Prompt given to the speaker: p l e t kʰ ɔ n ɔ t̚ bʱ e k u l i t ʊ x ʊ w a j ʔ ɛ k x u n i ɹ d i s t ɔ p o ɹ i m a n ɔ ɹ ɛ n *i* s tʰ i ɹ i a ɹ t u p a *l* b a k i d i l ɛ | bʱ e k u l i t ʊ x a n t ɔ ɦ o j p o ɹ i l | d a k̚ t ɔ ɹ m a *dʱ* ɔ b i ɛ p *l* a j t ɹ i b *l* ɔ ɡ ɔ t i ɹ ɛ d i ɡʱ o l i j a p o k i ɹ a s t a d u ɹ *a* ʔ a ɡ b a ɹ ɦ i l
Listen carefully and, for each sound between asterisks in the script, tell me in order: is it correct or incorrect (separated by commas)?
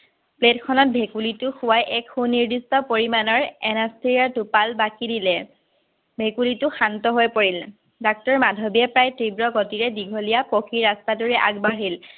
incorrect, correct, correct, incorrect, incorrect, incorrect